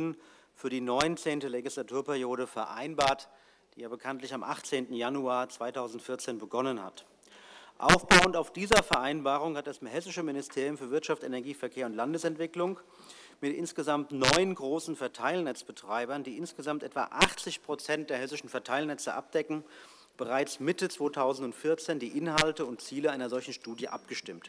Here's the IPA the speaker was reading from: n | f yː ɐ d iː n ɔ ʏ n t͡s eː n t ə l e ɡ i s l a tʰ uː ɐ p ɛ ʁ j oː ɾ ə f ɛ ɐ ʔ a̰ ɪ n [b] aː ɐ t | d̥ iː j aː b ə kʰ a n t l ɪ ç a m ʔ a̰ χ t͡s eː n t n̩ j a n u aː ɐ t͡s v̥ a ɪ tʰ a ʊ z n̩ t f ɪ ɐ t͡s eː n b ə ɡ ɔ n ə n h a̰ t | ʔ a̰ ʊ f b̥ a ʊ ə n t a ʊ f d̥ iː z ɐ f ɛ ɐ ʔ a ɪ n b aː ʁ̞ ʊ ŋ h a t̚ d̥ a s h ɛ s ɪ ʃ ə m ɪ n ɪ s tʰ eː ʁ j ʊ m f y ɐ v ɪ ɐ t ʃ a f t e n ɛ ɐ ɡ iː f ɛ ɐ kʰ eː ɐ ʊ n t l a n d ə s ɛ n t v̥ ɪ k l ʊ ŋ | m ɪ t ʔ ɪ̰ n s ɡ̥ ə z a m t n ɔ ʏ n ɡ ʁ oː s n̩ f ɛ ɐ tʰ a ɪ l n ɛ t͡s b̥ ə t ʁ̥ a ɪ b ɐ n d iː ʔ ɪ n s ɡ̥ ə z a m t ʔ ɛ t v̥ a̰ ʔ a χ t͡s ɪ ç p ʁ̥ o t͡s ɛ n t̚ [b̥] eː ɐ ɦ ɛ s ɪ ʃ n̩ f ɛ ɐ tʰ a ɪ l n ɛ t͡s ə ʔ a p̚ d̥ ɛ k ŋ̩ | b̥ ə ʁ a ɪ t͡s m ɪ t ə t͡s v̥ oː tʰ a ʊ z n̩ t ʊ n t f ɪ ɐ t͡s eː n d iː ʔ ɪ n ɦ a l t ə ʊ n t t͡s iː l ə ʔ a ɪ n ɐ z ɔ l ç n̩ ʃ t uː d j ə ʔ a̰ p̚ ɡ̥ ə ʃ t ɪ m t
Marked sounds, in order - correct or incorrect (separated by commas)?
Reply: correct, incorrect